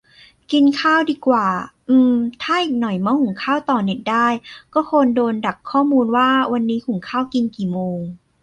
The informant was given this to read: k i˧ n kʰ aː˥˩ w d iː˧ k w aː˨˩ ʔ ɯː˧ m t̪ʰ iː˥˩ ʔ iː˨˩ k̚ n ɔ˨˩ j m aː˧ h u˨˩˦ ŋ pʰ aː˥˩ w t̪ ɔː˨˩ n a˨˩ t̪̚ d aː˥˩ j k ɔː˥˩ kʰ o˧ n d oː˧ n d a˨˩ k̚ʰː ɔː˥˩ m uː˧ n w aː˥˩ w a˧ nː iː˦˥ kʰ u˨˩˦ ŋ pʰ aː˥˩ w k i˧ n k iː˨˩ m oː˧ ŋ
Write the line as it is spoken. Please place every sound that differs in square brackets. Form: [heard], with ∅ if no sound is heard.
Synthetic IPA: k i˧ n kʰ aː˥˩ w d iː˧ k w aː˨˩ ʔ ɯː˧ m t̪ʰ [aː˥˩] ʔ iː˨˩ k̚ n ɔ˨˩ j m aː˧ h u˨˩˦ ŋ [kʰ] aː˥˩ w t̪ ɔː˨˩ n [e˨˩] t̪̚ d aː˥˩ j k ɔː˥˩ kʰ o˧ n d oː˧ n d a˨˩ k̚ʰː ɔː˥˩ m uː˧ n w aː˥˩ w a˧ nː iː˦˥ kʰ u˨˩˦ ŋ [kʰ] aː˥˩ w k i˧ n k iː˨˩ m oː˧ ŋ